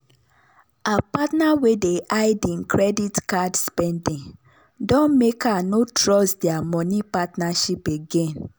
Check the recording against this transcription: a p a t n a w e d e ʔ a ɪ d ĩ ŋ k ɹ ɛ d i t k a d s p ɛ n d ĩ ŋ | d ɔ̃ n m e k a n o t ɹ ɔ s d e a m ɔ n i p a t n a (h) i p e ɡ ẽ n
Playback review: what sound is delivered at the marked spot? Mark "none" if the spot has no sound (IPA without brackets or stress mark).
ʃ